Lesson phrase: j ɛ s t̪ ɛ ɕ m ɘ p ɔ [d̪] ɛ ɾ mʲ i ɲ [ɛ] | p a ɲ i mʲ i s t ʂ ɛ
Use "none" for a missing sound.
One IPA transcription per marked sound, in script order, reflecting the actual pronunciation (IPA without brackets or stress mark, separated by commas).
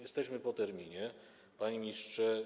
t̪, ɛ